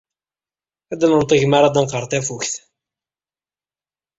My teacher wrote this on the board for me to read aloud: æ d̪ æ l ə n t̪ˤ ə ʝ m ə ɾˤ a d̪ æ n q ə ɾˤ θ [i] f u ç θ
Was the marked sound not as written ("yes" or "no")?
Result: yes